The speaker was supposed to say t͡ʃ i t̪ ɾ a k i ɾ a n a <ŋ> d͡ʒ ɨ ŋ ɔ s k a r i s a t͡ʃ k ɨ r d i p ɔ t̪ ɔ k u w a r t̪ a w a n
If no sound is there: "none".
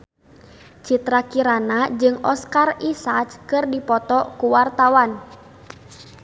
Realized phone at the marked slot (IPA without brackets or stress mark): none